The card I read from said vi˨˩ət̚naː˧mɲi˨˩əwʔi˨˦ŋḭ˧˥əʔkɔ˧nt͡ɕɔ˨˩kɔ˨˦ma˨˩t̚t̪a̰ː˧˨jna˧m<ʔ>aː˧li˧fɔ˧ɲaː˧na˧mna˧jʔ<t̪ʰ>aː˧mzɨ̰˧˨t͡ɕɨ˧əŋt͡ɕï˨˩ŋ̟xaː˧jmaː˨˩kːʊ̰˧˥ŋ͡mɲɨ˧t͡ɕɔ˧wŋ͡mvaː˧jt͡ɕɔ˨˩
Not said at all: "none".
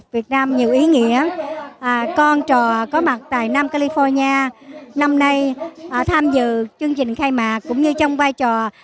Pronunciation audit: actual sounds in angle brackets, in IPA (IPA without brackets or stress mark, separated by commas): k, t̪ʰ